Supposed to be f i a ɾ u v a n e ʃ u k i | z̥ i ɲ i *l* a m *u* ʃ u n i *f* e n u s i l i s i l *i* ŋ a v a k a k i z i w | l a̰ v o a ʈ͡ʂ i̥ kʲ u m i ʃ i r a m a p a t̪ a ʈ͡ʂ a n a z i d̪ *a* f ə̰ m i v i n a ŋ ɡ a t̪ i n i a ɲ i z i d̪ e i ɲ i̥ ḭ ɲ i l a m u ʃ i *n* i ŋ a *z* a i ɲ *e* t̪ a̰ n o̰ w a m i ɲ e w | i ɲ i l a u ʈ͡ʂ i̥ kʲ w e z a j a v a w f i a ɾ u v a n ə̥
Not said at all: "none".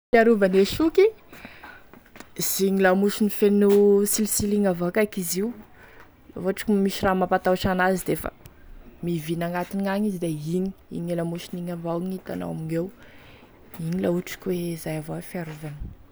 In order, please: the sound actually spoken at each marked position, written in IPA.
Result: l, u, f, i, e, n, v, i

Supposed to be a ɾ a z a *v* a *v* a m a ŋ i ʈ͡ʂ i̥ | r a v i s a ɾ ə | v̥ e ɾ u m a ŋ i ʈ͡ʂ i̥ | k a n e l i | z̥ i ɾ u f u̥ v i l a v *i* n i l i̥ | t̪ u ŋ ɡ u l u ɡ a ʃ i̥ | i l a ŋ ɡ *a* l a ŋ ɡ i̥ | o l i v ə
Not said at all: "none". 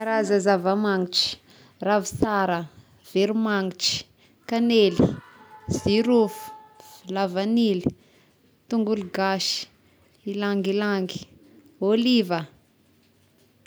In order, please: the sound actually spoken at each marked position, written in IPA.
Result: z, v, a, i

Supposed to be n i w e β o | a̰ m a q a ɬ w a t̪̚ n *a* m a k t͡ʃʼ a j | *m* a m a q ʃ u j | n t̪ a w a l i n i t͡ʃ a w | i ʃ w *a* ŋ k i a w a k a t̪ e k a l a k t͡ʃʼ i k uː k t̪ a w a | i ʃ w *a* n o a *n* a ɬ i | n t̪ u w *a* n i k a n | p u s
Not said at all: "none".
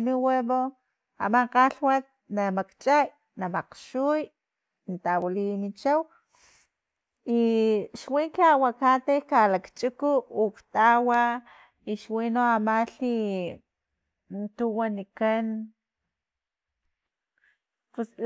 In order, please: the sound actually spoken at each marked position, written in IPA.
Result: a, n, i, i, m, a

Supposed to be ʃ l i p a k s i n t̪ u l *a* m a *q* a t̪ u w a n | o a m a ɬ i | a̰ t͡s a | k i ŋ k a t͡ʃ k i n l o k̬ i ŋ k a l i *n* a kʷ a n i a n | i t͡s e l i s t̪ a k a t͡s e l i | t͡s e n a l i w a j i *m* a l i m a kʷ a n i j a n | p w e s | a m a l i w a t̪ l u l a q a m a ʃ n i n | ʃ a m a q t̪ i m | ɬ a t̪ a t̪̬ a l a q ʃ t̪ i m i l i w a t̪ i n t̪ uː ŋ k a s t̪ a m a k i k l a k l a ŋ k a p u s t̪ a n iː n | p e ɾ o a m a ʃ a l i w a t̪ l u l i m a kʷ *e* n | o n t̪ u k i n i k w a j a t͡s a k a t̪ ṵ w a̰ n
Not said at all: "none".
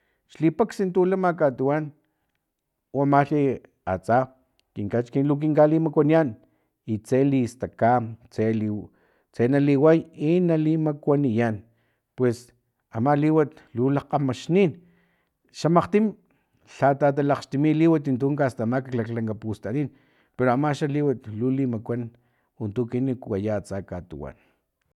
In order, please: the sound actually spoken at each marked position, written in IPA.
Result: a, k, m, n, a

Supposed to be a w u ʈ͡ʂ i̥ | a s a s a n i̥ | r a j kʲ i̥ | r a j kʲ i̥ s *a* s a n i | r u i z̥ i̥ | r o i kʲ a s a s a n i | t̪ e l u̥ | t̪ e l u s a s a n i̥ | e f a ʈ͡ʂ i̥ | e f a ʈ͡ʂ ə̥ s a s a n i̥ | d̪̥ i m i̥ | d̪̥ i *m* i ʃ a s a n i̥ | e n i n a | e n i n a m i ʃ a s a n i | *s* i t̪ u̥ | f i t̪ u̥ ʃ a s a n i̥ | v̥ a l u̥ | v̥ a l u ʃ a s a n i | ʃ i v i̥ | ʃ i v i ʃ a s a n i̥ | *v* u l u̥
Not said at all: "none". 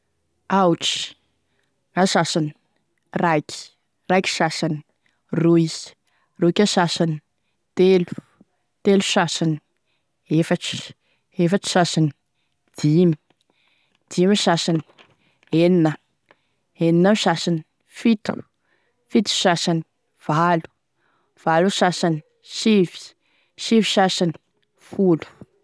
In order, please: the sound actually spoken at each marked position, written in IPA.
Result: a, m, f, f

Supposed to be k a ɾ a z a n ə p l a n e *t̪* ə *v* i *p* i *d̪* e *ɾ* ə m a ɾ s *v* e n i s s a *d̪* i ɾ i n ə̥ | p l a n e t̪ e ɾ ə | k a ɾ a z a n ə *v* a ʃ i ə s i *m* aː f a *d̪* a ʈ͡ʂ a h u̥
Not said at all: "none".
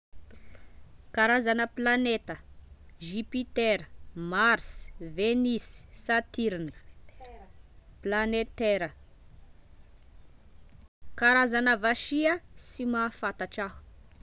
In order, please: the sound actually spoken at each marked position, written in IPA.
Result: t̪, ʒ, p, t̪, ɾ, v, t̪, v, m, t̪

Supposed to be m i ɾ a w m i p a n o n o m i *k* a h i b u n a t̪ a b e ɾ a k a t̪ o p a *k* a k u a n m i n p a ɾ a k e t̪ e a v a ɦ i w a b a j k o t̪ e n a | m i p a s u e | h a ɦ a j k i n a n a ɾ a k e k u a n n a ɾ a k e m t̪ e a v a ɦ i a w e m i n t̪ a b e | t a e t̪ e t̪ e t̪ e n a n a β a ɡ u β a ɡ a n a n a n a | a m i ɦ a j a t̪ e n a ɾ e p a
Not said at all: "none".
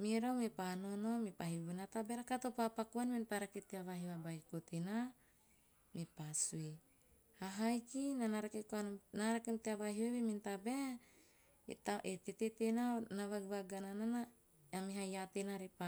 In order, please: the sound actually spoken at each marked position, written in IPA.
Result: p, p

